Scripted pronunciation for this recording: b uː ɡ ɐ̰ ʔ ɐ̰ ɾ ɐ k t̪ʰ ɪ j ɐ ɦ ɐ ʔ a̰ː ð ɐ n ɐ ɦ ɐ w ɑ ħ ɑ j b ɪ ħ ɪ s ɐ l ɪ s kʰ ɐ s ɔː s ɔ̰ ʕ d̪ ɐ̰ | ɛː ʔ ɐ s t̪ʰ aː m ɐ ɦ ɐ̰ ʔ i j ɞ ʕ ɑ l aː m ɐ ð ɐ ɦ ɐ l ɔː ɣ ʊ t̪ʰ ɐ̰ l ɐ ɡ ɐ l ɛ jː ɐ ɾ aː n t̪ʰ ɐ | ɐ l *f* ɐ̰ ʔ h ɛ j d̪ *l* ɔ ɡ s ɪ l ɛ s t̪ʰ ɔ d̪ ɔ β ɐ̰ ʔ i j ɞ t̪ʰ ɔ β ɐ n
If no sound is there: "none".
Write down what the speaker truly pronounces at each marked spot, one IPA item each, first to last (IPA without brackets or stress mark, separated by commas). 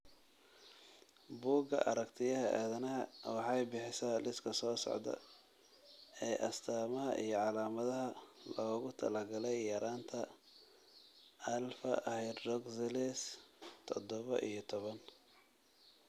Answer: f, r